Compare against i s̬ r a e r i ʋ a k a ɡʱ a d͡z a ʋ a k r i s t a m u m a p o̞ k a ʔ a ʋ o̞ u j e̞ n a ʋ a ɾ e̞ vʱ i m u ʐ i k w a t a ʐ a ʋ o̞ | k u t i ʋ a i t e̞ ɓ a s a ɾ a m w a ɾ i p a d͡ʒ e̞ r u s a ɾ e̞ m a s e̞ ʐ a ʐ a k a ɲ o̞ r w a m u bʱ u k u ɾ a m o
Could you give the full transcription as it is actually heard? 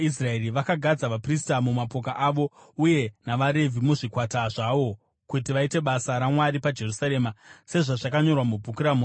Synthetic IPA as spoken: i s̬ r a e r i ʋ a k a ɡʱ a d͡z a ʋ a p r i s t a m u m a p o̞ k a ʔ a ʋ o̞ u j e̞ n a ʋ a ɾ e̞ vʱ i m u ʐ i k w a t a ʐ a ʋ o̞ | k u t i ʋ a i t e̞ ɓ a s a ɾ a m w a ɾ i p a d͡ʒ e̞ r u s a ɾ e̞ m a s e̞ ʐ a ʐ a k a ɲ o̞ r w a m u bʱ u k u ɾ a m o